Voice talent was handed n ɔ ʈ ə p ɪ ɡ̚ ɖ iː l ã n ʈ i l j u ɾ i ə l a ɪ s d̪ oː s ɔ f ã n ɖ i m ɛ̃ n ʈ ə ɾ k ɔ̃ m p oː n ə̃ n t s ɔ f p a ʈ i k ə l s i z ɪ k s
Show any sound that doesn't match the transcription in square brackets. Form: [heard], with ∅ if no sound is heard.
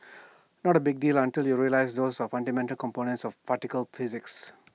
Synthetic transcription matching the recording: n ɔ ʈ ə [b] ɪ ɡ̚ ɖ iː l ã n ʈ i l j u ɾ i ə l a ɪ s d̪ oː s ɔ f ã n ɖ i m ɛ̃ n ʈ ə [l] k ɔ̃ m p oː n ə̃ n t s ɔ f p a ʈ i k ə l [f] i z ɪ k s